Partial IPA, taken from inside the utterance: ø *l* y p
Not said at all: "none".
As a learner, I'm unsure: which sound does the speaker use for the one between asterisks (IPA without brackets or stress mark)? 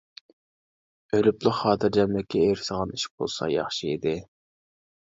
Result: l